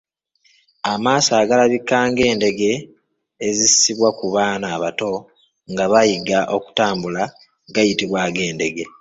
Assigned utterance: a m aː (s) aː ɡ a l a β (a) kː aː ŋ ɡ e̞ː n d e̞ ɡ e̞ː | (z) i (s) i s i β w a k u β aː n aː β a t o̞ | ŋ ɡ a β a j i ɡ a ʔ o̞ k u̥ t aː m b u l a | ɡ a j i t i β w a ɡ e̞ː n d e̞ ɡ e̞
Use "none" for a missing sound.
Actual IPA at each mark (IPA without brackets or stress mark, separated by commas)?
s, i, z, s